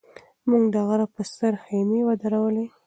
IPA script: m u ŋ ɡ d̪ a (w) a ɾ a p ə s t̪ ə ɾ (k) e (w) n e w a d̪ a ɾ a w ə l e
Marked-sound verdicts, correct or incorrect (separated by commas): incorrect, incorrect, incorrect